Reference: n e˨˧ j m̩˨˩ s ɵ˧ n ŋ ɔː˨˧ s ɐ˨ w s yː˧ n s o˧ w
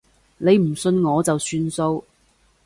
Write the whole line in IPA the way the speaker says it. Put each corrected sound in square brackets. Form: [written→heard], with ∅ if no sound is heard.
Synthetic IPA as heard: n e˨˧ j m̩˨˩ s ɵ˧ n ŋ ɔː˨˧ [s→t͡s] ɐ˨ w s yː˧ n s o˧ w